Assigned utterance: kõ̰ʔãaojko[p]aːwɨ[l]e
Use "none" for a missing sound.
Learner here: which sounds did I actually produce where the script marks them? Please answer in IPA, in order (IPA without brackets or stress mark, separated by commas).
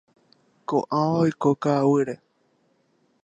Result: k, ɾ